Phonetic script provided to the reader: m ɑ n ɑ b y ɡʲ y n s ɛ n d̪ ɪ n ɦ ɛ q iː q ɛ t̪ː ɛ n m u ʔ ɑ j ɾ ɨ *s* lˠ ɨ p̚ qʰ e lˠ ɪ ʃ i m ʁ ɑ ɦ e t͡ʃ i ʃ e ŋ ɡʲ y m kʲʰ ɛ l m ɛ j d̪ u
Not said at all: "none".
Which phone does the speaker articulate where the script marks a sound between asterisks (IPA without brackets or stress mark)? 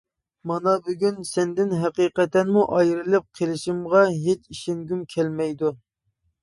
none